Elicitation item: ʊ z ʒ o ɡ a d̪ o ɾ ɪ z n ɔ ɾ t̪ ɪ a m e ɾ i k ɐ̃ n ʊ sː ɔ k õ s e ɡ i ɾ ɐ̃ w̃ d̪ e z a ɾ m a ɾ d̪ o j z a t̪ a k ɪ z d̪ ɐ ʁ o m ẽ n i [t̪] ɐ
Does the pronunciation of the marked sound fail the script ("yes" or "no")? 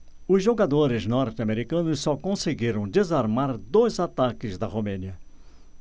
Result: yes